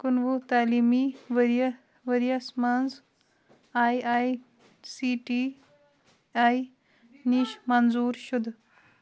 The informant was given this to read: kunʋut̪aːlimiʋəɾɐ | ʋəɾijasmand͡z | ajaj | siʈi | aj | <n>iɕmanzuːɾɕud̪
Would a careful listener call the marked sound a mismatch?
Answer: no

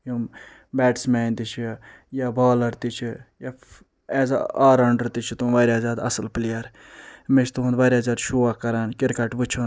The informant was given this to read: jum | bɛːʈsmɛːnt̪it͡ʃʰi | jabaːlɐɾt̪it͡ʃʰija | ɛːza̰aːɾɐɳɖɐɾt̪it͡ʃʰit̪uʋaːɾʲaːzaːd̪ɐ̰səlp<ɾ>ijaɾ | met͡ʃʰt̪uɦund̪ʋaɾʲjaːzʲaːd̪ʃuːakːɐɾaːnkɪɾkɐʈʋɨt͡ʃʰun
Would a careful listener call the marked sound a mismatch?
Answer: yes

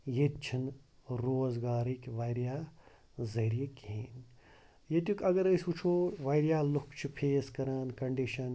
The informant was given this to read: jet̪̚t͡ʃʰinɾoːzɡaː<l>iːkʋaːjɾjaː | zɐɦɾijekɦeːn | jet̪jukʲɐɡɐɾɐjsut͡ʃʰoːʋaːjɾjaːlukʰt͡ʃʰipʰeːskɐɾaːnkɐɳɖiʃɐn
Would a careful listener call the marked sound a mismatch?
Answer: yes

